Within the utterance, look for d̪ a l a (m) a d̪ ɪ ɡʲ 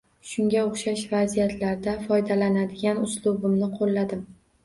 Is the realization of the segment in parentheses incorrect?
yes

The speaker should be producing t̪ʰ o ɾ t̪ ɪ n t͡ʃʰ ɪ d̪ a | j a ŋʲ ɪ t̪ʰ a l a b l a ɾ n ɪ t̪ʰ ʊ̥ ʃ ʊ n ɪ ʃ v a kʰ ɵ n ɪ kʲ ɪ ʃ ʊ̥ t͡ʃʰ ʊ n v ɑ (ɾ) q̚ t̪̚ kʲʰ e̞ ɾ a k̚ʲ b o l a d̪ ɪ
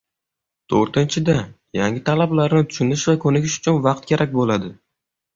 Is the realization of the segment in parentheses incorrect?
yes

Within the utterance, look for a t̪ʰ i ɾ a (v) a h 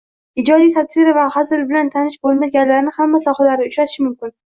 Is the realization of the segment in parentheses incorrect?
no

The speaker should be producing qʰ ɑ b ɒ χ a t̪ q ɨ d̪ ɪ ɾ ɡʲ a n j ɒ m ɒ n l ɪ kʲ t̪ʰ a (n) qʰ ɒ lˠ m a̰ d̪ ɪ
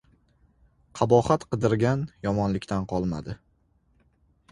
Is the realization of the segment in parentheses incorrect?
no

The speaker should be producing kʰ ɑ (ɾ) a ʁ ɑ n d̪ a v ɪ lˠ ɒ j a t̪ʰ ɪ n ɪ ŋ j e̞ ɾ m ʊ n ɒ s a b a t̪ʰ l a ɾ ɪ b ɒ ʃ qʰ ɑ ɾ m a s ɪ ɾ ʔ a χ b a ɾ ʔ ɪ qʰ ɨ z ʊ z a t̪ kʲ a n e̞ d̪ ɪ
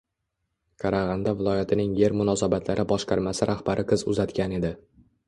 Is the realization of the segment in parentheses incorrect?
no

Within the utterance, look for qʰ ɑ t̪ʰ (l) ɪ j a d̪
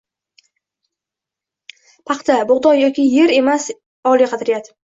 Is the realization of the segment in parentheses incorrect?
yes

